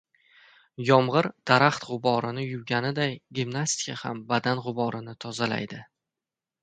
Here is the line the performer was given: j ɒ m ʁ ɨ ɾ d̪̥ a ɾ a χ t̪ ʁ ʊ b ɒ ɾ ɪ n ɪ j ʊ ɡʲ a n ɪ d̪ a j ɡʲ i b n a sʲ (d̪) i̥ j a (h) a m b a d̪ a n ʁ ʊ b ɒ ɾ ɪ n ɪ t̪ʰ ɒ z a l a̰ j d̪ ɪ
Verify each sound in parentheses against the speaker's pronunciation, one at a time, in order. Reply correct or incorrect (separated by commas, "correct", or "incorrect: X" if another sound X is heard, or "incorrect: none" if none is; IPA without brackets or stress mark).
incorrect: t̪, correct